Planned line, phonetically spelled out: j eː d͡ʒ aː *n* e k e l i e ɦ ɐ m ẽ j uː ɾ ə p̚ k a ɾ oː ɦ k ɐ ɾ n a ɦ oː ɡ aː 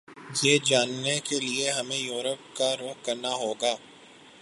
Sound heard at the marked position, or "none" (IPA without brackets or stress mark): nː